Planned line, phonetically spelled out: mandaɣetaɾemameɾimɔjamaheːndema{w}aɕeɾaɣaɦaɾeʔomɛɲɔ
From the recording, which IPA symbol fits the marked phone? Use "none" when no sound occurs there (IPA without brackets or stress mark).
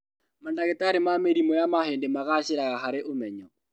ɣ